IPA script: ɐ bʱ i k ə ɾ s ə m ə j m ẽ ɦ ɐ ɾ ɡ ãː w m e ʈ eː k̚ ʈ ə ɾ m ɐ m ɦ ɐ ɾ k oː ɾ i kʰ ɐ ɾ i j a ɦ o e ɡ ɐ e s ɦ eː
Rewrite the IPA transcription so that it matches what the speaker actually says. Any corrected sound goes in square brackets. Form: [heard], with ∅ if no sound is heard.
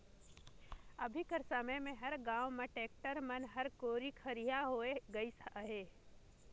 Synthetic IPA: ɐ bʱ i k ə ɾ s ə m ə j m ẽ ɦ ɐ ɾ ɡ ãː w m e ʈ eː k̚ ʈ ə ɾ m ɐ [n] ɦ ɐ ɾ k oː ɾ i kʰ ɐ ɾ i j a ɦ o e ɡ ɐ [i] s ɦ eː

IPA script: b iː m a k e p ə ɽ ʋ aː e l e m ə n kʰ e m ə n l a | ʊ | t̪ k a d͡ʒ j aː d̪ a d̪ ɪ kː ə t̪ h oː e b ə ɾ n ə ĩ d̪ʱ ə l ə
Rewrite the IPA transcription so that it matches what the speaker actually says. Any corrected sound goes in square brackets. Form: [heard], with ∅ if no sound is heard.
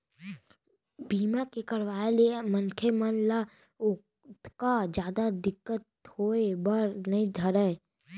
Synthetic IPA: b iː m a k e [k] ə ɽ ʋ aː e l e m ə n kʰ e m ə n l a | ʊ | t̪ k a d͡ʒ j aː d̪ a d̪ ɪ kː ə t̪ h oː e b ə ɾ n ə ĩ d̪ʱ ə [ɾ] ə

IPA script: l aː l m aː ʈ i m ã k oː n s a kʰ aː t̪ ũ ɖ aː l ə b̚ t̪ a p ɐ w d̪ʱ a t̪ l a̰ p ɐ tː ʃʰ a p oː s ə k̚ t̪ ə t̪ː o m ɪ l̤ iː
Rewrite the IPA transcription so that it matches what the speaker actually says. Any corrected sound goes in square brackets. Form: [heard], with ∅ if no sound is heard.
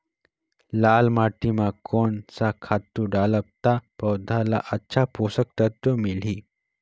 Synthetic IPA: l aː l m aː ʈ i m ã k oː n s a kʰ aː t̪ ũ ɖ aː l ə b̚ t̪ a p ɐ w d̪ʱ a [∅] l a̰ [ʔ] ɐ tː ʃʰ a p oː s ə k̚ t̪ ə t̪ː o m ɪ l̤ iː

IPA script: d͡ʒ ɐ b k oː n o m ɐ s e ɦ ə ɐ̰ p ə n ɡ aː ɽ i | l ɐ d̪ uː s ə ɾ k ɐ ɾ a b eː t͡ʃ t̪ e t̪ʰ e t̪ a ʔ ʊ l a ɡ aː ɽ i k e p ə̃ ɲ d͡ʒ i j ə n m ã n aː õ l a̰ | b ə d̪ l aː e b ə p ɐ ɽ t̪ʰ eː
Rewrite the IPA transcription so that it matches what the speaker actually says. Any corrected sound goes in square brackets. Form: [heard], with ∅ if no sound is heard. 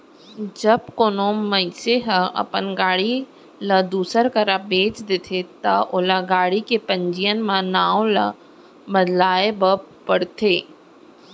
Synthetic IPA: d͡ʒ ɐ b k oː n o m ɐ s e ɦ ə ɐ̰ p ə n ɡ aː ɽ i | l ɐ d̪ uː s ə ɾ k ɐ ɾ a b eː t͡ʃ [d̪] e t̪ʰ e t̪ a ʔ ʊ l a ɡ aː ɽ i k e p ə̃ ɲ d͡ʒ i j ə n m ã n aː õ l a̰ | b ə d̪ l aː e b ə p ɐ ɽ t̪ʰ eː

